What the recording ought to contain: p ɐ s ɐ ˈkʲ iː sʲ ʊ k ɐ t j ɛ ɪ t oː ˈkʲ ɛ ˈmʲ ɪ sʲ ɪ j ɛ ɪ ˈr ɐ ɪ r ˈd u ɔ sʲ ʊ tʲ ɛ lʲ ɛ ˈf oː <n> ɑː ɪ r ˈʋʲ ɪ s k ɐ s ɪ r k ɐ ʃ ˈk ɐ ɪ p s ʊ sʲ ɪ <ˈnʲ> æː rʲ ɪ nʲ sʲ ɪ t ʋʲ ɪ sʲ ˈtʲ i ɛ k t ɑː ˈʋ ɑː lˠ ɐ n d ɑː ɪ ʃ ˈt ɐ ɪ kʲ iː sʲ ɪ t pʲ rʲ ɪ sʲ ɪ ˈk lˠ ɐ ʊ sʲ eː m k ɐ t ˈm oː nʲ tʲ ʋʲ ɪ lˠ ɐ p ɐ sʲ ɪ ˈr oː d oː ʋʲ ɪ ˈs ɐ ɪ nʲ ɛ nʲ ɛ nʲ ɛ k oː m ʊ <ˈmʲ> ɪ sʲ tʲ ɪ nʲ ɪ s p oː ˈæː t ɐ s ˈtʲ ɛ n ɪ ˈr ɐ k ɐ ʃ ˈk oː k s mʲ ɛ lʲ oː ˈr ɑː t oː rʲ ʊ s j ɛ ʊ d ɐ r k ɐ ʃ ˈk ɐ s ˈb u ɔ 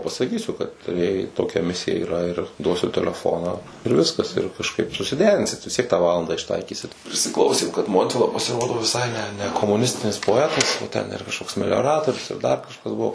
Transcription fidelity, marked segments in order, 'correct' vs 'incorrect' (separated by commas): correct, incorrect, incorrect